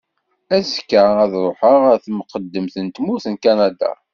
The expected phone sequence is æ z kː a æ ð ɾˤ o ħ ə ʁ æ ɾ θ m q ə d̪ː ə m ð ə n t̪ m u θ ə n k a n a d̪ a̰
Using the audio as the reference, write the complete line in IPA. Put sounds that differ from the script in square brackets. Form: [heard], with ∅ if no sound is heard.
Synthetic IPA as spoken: æ z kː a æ ð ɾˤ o ħ ə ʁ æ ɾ θ m q ə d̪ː ə m [θ] ə n t̪ m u θ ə n k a n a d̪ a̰